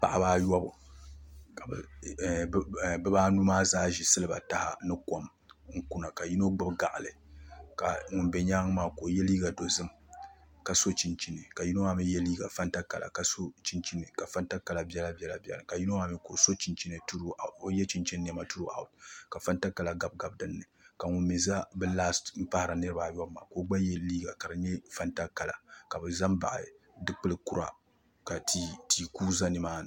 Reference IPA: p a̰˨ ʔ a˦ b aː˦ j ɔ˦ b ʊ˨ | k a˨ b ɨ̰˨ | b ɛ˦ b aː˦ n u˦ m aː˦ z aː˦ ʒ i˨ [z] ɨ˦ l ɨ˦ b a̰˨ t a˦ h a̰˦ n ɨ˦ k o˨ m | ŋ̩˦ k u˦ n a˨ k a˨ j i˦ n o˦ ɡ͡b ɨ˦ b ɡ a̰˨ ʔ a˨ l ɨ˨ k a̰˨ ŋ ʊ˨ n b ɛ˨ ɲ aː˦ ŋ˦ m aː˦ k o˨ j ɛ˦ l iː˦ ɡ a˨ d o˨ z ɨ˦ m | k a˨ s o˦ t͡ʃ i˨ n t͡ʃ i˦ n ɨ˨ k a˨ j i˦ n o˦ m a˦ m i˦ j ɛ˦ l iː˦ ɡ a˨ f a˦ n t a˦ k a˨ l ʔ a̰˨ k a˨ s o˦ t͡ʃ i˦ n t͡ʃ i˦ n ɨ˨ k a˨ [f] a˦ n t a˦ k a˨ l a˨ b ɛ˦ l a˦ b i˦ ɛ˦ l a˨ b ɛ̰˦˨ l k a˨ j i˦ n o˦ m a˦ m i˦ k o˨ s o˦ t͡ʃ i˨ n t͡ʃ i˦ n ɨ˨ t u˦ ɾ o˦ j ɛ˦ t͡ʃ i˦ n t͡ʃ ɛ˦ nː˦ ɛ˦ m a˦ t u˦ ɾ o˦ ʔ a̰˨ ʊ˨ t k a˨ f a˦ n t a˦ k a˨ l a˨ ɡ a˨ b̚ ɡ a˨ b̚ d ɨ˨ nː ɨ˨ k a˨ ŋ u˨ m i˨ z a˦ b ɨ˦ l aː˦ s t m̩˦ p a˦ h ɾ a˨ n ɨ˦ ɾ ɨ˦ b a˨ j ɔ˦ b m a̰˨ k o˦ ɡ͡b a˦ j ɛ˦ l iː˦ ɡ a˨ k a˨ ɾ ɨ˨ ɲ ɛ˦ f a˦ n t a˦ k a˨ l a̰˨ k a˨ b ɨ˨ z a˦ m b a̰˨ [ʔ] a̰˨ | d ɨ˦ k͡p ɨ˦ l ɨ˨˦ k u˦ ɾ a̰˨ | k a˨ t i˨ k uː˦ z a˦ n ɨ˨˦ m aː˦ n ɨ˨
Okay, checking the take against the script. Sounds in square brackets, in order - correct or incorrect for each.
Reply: incorrect: s, correct, correct

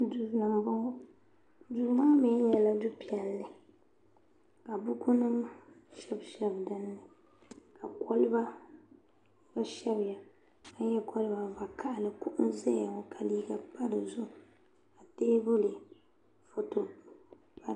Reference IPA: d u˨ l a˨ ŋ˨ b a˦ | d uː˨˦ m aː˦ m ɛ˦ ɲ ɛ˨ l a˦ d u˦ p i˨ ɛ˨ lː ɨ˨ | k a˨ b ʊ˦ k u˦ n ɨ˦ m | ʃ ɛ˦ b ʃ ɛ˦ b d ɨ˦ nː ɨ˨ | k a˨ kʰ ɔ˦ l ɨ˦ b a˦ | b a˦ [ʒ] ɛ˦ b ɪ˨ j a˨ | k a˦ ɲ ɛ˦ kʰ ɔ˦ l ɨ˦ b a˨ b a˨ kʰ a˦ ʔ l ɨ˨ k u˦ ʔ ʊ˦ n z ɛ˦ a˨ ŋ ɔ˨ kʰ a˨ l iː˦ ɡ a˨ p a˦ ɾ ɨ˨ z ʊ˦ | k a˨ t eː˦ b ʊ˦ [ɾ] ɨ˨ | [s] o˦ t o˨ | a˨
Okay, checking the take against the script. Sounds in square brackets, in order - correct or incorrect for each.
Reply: incorrect: ʃ, incorrect: l, incorrect: f

